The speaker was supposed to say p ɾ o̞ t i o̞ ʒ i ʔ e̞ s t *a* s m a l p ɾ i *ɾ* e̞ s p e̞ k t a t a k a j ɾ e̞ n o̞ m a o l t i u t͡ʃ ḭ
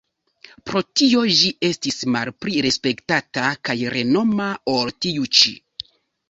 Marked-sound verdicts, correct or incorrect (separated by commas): incorrect, correct